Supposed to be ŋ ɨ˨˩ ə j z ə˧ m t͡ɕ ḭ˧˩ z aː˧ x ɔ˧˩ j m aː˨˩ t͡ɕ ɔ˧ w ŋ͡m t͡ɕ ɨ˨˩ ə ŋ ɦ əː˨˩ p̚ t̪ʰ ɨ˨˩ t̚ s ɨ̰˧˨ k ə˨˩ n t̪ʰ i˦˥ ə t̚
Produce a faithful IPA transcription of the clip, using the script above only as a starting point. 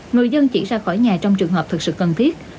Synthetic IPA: ŋ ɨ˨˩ ə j z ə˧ n t͡ɕ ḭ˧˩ z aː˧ x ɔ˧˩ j ɲ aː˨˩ t͡ɕ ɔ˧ w ŋ͡m t͡ɕ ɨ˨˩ ə ŋ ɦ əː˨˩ p̚ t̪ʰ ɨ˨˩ k̚ s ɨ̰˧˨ k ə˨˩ n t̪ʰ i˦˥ ə t̚